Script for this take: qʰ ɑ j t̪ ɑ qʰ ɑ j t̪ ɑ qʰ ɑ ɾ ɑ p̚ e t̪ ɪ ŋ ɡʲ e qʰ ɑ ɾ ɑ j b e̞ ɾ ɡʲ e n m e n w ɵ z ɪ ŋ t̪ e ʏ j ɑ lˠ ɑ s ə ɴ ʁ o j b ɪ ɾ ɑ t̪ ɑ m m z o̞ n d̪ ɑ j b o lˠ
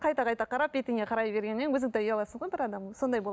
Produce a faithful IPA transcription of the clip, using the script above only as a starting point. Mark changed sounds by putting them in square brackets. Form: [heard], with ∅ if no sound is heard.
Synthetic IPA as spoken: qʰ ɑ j t̪ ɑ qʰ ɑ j t̪ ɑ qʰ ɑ ɾ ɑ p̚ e t̪ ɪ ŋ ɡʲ e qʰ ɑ ɾ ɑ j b e̞ ɾ ɡʲ e n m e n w ɵ z ɪ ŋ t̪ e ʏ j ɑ lˠ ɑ s ə ɴ ʁ o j b ɪ ɾ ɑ [d̪] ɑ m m [s] o̞ n d̪ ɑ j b o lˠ